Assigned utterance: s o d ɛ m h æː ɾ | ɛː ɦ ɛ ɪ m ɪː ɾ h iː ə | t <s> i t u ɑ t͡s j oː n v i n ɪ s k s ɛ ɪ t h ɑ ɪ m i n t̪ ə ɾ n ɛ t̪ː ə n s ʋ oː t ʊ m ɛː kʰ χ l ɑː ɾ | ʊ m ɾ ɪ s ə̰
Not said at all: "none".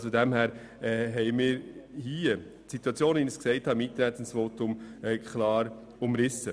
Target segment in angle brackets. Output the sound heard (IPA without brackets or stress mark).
s